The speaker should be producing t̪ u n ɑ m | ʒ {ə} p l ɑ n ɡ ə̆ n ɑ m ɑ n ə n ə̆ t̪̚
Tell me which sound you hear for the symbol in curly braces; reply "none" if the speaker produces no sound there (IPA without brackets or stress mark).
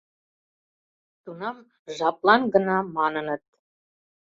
ɑ